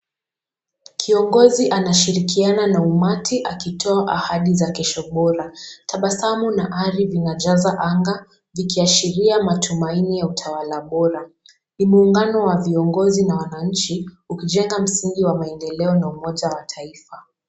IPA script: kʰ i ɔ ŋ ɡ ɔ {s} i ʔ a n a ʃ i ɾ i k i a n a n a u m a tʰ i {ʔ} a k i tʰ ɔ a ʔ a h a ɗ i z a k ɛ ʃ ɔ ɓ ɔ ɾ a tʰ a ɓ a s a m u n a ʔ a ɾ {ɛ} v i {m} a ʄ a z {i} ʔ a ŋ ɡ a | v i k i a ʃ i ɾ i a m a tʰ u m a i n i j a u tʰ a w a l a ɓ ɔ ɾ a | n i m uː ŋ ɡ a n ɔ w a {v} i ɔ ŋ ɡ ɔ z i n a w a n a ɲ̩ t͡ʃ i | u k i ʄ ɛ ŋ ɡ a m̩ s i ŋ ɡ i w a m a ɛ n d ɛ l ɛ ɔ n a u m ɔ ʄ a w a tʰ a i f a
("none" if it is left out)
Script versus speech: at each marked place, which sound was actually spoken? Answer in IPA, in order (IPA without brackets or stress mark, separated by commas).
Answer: z, ʔ, i, n, a, v